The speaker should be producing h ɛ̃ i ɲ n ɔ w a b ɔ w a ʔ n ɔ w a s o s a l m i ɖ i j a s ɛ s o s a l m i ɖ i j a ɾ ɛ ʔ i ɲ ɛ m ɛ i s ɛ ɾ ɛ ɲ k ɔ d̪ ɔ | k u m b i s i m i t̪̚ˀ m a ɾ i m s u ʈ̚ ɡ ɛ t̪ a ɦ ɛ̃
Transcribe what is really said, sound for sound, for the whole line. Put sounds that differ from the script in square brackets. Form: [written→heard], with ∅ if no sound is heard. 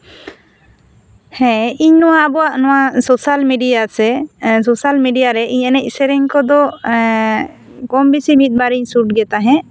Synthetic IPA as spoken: h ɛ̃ i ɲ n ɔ w a b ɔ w a ʔ n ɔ w a s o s a l m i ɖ i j a s ɛ s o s a l m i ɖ i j a ɾ ɛ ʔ i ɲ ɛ [m→n] ɛ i s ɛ ɾ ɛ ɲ k ɔ d̪ ɔ | k [u→ɔ] m b i s i m i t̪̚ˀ [m→b] a ɾ i [m→ɲ] s u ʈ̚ ɡ ɛ t̪ a ɦ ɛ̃

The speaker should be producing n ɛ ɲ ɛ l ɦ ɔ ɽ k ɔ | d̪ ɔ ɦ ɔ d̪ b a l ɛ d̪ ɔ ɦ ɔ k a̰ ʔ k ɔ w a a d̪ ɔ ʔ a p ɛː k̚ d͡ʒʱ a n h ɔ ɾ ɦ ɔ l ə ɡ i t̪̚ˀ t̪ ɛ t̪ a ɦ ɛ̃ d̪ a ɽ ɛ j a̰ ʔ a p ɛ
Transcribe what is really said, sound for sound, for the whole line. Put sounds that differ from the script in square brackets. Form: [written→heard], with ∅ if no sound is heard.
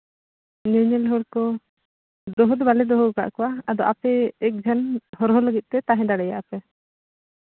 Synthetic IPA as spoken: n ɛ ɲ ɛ l ɦ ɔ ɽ k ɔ | d̪ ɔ ɦ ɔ d̪ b a l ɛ d̪ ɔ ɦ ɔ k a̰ ʔ k ɔ w a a d̪ ɔ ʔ a p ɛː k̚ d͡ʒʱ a n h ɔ ɾ ɦ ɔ l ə ɡ i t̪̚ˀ t̪ ɛ t̪ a ɦ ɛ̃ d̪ a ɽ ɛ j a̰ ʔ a p ɛ

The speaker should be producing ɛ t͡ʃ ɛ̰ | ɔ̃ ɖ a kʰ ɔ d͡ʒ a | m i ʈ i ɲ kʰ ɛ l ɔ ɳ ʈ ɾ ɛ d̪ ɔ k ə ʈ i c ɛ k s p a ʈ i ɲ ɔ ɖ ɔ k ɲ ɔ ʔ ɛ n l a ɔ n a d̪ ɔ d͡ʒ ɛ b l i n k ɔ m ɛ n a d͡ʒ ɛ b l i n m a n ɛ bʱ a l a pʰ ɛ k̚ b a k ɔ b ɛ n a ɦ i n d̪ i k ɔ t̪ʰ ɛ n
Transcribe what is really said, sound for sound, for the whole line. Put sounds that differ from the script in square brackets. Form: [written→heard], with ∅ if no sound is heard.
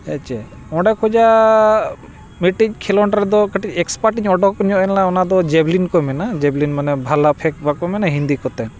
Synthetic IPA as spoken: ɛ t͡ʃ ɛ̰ | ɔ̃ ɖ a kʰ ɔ d͡ʒ a | m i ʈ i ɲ kʰ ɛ l ɔ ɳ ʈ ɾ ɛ d̪ ɔ k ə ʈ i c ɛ k s p a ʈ i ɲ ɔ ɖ ɔ k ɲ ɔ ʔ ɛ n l a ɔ n a d̪ ɔ d͡ʒ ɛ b l i n k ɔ m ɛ n a d͡ʒ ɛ b l i n m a n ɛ bʱ a l a pʰ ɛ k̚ b a k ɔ [b→m] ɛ n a ɦ i n d̪ i k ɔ [t̪ʰ→t̪] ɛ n

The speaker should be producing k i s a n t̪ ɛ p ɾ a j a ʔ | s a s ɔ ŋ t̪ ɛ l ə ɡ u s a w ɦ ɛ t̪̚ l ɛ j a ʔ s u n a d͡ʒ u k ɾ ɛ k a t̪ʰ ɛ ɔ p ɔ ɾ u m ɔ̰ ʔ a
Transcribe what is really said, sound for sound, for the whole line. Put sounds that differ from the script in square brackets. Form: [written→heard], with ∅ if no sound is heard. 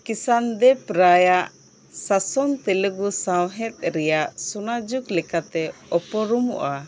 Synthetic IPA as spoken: k i s a n [t̪→d̪] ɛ p ɾ a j a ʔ | s a s ɔ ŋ t̪ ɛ l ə ɡ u s a w ɦ ɛ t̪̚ [l→ɾ] ɛ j a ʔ s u n a d͡ʒ u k [ɾ→l] ɛ k a [t̪ʰ→t̪] ɛ ɔ p ɔ ɾ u m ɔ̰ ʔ a

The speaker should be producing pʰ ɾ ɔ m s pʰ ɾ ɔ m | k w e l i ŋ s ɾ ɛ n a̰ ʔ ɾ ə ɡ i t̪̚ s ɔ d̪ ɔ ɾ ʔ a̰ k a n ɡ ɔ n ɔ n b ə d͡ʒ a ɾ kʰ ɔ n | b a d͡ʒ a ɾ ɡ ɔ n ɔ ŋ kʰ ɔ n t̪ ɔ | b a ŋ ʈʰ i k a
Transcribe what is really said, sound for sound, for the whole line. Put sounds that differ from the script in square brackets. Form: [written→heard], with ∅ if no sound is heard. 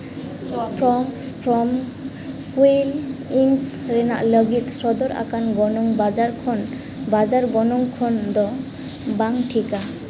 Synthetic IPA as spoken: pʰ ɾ ɔ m s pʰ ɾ ɔ m | k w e l i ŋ s ɾ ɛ n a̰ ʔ [ɾ→l] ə ɡ i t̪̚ s ɔ d̪ ɔ ɾ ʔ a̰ k a n ɡ ɔ n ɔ [n→ŋ] b [ə→a] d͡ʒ a ɾ kʰ ɔ n | b a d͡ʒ a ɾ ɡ ɔ n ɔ ŋ kʰ ɔ n [t̪→d̪] ɔ | b a ŋ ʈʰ i k a

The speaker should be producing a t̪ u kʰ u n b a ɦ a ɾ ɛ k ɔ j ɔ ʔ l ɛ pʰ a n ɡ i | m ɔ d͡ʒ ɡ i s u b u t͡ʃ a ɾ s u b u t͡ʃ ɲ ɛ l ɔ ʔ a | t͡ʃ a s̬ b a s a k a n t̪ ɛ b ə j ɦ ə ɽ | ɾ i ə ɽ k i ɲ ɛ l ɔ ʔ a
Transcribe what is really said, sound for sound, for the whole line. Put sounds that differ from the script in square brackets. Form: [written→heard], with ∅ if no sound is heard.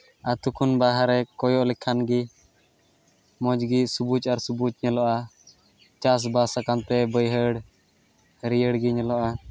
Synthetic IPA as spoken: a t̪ u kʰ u n b a ɦ a ɾ ɛ k ɔ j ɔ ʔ l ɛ [pʰ→kʰ] a n ɡ i | m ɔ d͡ʒ ɡ i s u b u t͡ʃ a ɾ s u b u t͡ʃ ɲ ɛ l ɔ ʔ a | t͡ʃ a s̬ b a s a k a n t̪ ɛ b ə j ɦ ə ɽ | ɾ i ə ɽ [k→ɡ] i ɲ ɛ l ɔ ʔ a

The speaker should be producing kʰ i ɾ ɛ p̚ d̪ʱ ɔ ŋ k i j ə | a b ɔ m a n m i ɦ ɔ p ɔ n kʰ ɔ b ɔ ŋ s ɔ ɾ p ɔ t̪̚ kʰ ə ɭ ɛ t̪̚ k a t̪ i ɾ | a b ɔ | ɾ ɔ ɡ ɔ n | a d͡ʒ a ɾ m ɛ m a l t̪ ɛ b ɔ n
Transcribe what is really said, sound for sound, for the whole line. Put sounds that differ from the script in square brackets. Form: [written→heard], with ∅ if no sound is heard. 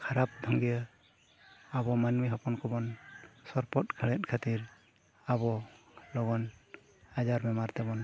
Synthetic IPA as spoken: kʰ [i→a] ɾ [ɛ→a] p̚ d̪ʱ ɔ ŋ [k→ɡ] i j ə | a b ɔ m a n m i ɦ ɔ p ɔ n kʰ ɔ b ɔ [ŋ→n] s ɔ ɾ p ɔ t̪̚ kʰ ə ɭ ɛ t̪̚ [k→kʰ] a t̪ i ɾ | a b ɔ | [ɾ→l] ɔ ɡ ɔ n | a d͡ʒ a ɾ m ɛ m a [l→ɾ] t̪ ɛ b ɔ n

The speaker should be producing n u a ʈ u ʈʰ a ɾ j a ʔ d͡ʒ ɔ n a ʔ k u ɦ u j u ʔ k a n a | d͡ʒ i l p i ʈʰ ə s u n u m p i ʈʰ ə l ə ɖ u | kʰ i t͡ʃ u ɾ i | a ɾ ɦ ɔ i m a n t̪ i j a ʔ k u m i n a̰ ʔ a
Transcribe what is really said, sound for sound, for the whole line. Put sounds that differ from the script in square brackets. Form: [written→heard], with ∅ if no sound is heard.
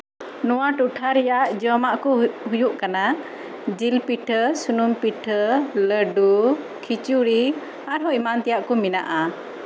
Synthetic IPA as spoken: n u a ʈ u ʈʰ a ɾ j a ʔ d͡ʒ ɔ [n→m] a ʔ k u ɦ u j u ʔ k a n a | d͡ʒ i l p i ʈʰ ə s u n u m p i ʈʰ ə l ə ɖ u | kʰ i t͡ʃ u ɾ i | a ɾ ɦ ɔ i m a n t̪ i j a ʔ k u m i n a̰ ʔ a

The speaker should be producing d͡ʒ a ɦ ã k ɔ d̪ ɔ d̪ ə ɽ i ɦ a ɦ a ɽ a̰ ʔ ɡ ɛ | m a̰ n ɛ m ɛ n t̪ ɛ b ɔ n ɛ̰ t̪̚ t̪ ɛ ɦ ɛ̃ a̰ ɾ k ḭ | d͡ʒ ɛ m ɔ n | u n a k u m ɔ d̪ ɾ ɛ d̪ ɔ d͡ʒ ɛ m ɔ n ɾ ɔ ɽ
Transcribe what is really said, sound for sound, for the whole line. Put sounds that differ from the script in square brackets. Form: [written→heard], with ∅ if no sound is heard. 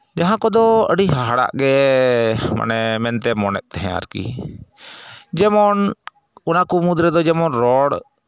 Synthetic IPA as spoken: d͡ʒ a ɦ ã k ɔ d̪ ɔ [d̪→∅] ə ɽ i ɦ a ɦ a ɽ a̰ ʔ ɡ ɛ | m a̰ n ɛ m ɛ n t̪ ɛ [b→m] ɔ n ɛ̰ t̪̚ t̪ ɛ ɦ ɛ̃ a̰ ɾ k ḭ | d͡ʒ ɛ m ɔ n | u n a k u m [ɔ→u] d̪ ɾ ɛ d̪ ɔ d͡ʒ ɛ m ɔ n ɾ ɔ ɽ

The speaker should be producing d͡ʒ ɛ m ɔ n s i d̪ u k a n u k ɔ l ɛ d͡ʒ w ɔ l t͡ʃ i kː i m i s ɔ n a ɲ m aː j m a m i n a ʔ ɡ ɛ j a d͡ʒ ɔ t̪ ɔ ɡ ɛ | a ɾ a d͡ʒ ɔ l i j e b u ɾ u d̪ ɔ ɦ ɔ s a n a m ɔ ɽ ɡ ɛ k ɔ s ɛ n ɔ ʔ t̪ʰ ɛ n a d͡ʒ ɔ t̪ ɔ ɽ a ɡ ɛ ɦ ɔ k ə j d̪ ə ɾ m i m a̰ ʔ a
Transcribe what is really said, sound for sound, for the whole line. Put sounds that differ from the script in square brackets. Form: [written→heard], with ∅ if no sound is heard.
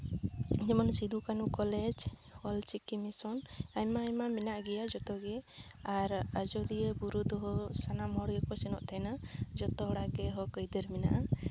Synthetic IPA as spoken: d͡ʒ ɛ m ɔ n s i d̪ u k a n u k ɔ l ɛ d͡ʒ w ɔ l t͡ʃ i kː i m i s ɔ n a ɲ m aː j m a m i n a ʔ ɡ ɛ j a d͡ʒ ɔ t̪ ɔ ɡ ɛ | a ɾ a d͡ʒ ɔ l i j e b u ɾ u d̪ ɔ ɦ ɔ s a n a m ɔ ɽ ɡ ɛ k ɔ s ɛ n ɔ ʔ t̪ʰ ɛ n a d͡ʒ ɔ t̪ ɔ ɽ a ɡ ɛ ɦ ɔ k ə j d̪ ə ɾ m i [m→n] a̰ ʔ a

